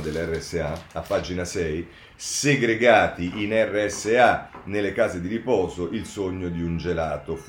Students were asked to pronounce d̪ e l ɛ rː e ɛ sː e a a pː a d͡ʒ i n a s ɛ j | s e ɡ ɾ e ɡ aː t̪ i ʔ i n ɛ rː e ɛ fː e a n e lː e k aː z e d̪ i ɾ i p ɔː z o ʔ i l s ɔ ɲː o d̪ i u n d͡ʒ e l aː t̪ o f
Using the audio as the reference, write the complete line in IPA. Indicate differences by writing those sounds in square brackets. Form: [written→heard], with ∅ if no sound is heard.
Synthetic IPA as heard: d̪ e l ɛ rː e ɛ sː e a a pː a d͡ʒ i n a s ɛ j | s e ɡ ɾ e ɡ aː t̪ i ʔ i n ɛ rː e ɛ [fː→sː] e a n e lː e k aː z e d̪ i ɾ i p ɔː z o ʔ i l s [ɔ→o] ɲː o d̪ i u n d͡ʒ e l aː t̪ o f